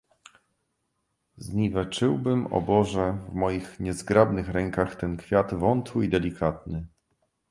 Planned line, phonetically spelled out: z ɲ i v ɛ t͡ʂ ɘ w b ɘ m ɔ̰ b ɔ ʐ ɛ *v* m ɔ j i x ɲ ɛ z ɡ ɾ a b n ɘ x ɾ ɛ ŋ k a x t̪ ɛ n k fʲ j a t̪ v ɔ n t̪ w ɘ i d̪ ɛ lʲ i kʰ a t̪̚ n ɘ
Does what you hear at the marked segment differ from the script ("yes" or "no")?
no